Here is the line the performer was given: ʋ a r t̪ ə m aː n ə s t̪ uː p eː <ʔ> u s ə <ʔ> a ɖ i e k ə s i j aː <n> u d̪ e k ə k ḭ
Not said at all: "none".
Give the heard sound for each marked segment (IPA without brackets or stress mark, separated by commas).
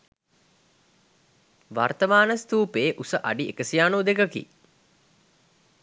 ʔ, ʔ, n